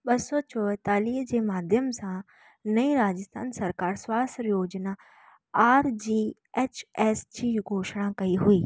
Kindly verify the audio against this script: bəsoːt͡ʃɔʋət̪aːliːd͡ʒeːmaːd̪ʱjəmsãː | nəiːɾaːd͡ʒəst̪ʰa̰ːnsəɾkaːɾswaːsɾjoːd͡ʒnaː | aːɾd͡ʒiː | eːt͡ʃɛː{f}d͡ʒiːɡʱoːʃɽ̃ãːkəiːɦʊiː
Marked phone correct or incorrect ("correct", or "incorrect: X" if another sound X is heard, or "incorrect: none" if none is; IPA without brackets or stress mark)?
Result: incorrect: s